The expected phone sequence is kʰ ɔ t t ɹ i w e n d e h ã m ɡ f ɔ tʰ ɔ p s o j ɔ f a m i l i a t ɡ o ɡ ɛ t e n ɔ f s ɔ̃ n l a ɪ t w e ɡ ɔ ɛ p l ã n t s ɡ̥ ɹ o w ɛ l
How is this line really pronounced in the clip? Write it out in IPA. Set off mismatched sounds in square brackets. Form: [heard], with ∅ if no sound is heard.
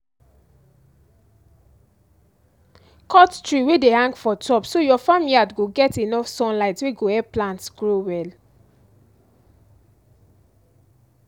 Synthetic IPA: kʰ ɔ t t ɹ i w e [∅] d e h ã [ŋ] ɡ f ɔ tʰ ɔ p s o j ɔ f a m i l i a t ɡ o ɡ ɛ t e n ɔ f s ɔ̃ n l a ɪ t w e ɡ [o] ɛ p l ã n t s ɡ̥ ɹ o w ɛ l